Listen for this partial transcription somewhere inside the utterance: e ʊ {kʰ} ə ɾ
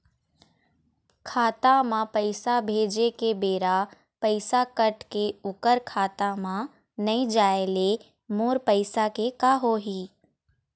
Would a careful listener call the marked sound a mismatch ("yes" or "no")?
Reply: yes